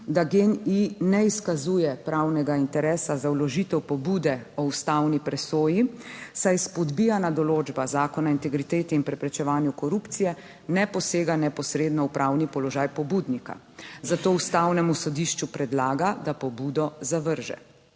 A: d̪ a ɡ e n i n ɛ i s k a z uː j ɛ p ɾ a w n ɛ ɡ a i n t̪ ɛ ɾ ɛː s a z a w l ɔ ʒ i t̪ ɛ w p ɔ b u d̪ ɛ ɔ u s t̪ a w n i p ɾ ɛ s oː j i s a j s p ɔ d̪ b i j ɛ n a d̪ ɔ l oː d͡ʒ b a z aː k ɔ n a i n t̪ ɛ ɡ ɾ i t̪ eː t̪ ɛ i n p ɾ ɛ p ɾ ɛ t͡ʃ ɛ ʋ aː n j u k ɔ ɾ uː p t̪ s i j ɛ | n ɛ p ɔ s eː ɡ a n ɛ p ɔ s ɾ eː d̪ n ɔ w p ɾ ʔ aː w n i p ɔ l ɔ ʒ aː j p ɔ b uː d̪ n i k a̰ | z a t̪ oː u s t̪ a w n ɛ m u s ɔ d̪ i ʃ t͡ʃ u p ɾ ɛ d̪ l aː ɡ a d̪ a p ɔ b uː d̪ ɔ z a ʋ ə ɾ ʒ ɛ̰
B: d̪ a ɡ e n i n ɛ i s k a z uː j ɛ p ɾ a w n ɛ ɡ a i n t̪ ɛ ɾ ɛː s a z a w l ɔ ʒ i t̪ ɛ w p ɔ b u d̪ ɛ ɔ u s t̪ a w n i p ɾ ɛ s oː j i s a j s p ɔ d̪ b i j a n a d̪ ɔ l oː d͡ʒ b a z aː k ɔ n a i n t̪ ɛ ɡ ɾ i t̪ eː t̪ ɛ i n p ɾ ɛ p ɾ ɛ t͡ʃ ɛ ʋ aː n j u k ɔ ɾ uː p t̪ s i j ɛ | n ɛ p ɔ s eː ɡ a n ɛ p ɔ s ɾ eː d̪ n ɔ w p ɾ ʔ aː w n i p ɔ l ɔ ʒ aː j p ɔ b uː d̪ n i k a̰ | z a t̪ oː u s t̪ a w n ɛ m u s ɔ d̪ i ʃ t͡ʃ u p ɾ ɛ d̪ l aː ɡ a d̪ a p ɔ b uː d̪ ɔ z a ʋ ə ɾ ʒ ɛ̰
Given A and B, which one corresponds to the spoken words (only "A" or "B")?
B